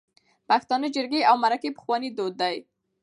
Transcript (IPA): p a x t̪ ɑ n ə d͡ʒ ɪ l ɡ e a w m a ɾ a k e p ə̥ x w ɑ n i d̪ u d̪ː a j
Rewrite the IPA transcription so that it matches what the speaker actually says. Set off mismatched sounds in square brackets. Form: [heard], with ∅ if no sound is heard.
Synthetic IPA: p a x t̪ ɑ n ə d͡ʒ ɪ [ɾ] ɡ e a w m a ɾ a k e p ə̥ x w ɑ n i d̪ [o] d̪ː a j